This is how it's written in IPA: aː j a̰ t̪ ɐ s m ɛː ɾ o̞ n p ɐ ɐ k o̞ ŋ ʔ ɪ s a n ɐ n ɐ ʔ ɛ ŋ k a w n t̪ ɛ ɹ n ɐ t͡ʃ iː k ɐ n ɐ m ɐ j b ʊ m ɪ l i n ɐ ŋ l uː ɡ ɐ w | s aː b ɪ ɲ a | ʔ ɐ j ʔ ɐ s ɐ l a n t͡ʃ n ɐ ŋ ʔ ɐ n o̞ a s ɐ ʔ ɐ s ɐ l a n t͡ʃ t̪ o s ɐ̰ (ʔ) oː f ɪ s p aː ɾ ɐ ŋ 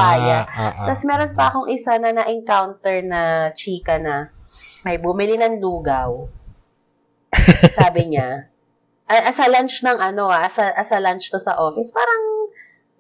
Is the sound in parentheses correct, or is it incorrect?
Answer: correct